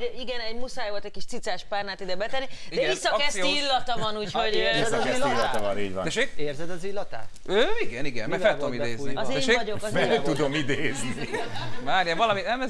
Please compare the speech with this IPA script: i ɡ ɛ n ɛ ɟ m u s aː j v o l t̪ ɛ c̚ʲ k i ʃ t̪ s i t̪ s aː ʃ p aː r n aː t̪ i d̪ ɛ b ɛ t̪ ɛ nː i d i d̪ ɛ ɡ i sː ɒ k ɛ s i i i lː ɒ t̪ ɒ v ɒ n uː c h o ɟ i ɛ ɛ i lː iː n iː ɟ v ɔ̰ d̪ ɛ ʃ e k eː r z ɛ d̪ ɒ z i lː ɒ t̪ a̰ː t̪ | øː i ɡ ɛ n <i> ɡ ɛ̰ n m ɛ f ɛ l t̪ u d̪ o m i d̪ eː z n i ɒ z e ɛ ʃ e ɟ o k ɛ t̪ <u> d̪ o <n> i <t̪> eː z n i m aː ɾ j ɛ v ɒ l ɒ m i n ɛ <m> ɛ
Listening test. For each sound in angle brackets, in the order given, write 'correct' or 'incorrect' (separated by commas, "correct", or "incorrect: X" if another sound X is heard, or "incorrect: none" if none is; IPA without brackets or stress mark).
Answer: correct, correct, incorrect: m, incorrect: d̪, correct